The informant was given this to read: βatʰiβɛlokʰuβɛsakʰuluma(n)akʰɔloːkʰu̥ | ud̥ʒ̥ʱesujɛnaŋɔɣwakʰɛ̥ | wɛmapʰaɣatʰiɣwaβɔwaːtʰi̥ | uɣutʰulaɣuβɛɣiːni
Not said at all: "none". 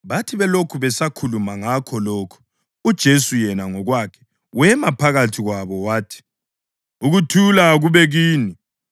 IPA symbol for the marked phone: ŋ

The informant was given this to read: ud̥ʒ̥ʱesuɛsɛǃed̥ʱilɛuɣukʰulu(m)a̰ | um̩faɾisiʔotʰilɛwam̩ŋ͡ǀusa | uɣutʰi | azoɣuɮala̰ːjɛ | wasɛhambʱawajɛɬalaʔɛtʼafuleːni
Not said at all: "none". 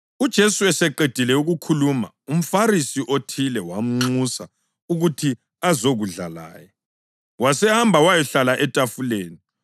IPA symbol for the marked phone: m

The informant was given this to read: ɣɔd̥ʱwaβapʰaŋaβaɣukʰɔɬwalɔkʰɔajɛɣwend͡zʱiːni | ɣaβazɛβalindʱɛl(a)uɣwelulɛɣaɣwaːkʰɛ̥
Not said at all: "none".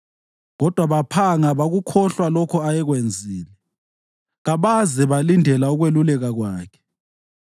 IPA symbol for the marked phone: a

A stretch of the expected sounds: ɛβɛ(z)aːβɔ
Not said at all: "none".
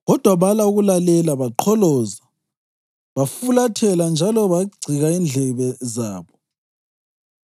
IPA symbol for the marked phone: z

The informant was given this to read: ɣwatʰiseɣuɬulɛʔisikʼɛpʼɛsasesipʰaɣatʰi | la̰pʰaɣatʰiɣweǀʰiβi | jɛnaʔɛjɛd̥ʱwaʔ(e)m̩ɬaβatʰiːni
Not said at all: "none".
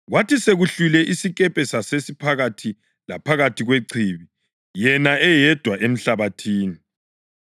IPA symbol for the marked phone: e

